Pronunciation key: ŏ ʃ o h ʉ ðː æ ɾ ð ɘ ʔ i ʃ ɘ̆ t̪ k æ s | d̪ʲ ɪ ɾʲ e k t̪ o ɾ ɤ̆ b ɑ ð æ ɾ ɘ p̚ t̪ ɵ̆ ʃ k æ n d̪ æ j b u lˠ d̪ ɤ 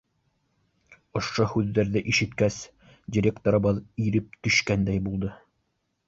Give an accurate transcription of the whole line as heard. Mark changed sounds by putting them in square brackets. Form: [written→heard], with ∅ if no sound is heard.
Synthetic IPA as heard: ŏ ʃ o h ʉ ðː æ ɾ ð ɘ ʔ i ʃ ɘ̆ t̪ k æ s | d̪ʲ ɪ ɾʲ e k t̪ o ɾ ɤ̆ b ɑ ð [æ→i] ɾ ɘ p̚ t̪ ɵ̆ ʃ k æ n d̪ æ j b u lˠ d̪ ɤ